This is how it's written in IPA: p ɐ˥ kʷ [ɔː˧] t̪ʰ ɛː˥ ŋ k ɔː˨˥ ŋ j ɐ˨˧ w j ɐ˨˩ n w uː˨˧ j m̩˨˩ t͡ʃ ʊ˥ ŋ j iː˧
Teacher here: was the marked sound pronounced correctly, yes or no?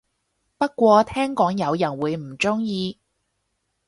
yes